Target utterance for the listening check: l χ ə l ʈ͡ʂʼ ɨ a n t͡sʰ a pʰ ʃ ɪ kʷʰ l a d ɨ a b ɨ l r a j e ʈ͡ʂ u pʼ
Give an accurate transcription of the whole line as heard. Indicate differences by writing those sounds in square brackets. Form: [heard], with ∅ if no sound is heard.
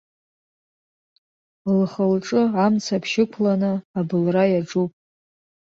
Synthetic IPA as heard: l χ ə l ʈ͡ʂʼ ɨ a [m] t͡sʰ a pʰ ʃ ɪ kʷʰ l a [n] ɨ a b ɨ l r a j [a] ʈ͡ʂ u pʼ